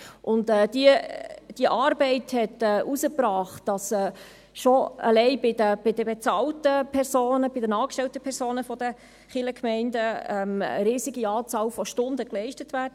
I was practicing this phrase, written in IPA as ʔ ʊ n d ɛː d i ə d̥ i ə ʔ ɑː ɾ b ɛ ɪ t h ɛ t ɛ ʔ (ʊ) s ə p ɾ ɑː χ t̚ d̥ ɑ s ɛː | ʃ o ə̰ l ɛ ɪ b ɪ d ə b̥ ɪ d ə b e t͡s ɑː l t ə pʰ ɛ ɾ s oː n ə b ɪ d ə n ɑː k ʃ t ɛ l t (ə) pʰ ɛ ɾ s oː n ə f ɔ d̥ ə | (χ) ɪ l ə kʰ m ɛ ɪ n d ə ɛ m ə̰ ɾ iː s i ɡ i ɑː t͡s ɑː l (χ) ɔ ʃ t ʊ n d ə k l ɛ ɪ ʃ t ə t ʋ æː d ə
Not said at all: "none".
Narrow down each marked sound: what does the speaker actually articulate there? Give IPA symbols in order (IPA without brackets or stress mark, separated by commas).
u, ə, χ, f